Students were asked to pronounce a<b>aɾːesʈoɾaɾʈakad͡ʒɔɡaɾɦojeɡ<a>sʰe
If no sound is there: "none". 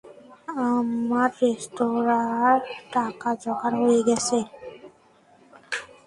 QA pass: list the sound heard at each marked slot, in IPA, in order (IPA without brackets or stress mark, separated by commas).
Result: m, ɛ